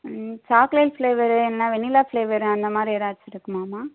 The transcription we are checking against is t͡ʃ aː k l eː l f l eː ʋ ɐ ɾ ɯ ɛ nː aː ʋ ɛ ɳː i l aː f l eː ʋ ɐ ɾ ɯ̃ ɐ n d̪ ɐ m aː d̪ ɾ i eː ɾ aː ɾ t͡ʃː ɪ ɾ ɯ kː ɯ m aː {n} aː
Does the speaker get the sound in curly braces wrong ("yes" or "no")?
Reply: yes